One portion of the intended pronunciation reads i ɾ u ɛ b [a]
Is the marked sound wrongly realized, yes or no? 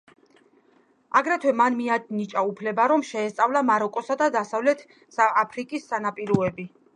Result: yes